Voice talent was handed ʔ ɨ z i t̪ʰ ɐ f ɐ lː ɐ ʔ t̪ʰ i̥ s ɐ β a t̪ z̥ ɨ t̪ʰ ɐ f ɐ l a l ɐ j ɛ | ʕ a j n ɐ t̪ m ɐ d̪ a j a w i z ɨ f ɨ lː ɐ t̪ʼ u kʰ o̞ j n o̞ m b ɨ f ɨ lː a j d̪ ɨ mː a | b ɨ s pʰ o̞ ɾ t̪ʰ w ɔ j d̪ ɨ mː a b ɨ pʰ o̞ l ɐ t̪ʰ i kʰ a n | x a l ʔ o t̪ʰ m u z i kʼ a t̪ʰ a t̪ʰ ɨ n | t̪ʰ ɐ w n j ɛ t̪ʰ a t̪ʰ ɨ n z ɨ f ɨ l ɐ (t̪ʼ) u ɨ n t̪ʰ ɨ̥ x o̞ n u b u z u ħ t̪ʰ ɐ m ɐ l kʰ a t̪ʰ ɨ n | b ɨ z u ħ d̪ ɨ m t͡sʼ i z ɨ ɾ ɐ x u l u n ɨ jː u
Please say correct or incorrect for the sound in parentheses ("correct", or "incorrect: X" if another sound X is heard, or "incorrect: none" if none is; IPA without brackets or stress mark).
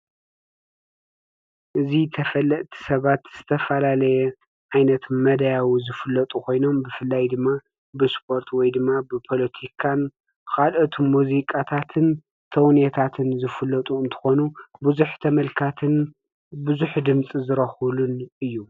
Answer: correct